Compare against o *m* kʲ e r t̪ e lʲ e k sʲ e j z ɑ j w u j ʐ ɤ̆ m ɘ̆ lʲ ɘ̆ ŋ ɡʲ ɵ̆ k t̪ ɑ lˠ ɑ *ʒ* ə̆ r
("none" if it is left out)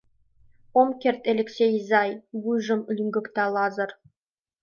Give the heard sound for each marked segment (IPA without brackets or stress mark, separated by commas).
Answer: m, z